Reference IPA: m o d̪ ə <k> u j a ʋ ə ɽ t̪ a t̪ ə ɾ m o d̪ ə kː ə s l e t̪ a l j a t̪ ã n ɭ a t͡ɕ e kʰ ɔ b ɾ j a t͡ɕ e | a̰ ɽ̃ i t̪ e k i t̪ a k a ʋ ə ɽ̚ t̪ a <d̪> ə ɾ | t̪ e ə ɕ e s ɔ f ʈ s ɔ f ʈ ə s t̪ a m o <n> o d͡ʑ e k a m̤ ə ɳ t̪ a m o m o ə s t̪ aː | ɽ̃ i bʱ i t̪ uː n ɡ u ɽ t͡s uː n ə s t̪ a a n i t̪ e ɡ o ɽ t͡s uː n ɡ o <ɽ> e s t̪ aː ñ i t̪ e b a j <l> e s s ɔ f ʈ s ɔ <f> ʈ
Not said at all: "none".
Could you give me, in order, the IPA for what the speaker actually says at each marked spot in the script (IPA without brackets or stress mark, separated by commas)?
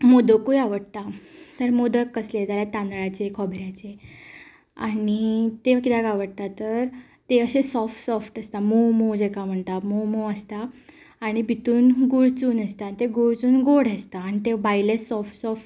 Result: k, t̪, m, ɽ, l, f